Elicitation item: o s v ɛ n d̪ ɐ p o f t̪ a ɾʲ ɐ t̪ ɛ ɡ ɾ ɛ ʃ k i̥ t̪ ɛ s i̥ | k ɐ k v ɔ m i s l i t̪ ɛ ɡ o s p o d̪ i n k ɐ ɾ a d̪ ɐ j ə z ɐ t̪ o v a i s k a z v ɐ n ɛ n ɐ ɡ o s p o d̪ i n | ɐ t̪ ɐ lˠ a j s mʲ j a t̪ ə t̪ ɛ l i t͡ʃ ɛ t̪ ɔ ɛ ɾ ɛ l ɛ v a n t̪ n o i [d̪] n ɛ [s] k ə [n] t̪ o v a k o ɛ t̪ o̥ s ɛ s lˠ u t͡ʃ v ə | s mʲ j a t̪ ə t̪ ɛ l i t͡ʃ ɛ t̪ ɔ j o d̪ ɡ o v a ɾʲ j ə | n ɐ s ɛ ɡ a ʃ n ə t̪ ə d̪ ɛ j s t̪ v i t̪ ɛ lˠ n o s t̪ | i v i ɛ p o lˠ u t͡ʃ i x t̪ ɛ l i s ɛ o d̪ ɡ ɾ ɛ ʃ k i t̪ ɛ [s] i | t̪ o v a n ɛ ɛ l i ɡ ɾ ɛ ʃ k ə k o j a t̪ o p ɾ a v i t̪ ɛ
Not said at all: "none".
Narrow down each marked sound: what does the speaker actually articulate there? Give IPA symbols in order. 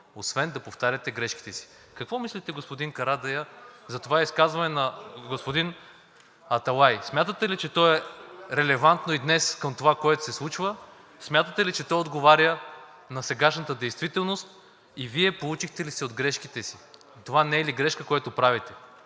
d̪, s, m, s

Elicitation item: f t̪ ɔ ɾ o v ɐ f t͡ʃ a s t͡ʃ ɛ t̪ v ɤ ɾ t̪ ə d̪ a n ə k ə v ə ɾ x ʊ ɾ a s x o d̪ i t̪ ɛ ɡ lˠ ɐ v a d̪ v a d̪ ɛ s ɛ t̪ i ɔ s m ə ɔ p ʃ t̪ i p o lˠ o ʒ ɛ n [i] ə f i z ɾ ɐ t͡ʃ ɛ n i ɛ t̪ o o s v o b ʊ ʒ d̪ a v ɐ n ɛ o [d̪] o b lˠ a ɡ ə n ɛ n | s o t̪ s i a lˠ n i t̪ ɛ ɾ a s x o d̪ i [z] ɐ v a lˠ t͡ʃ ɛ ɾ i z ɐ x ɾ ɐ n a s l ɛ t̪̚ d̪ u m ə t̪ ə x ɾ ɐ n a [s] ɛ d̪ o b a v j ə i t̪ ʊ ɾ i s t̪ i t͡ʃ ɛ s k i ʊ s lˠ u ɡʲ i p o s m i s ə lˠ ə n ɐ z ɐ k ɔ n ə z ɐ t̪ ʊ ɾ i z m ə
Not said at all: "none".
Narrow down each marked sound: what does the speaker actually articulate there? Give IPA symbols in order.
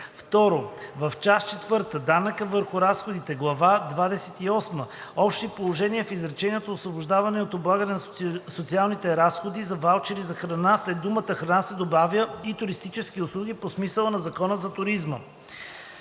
i, t̪, z, s

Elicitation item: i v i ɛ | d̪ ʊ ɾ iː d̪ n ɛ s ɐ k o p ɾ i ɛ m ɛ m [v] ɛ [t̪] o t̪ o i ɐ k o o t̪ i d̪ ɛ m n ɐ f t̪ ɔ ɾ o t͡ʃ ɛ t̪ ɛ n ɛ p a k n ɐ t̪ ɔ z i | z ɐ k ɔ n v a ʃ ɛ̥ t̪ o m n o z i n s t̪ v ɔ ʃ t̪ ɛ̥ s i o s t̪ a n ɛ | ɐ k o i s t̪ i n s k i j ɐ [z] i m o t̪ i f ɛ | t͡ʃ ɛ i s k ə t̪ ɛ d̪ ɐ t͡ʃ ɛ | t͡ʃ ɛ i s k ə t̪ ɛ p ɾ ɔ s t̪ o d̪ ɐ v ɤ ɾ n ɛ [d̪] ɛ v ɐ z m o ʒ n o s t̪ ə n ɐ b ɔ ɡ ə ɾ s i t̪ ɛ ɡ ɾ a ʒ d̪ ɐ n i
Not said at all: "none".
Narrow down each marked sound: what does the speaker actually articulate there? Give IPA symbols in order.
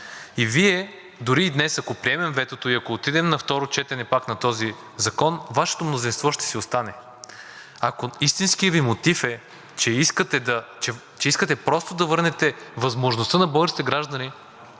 v, t̪, v, t̪

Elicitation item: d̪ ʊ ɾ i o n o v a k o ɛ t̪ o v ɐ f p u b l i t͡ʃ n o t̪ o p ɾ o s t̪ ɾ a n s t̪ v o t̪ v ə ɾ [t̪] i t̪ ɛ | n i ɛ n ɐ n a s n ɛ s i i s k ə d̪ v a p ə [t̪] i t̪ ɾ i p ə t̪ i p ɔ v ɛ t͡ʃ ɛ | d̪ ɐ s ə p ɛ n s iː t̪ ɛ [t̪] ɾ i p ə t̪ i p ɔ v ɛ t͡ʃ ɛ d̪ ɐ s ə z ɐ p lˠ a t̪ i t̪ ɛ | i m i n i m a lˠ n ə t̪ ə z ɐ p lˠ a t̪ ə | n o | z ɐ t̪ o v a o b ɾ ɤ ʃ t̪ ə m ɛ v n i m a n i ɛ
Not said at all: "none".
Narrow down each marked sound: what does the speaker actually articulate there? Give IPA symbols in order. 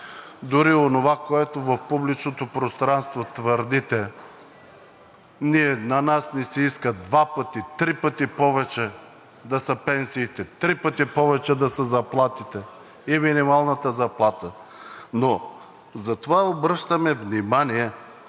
d̪, t̪, t̪

